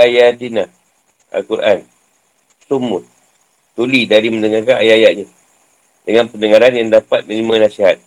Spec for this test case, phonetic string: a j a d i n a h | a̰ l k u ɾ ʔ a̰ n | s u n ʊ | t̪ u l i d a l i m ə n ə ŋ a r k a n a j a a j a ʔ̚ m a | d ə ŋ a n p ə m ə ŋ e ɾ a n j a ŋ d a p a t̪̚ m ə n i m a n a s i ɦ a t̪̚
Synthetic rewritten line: a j a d i n a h | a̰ l k u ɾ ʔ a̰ n | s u m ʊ | t̪ u l i d a ɾ i m ə n ə ŋ a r k a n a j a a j a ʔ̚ ɲ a | d ə ŋ a n p ə n ə ŋ a ɾ a n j a ŋ d a p a t̪̚ m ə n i m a n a s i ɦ a t̪̚